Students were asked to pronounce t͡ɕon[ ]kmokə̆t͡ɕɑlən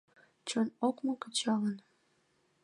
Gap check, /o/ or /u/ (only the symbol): o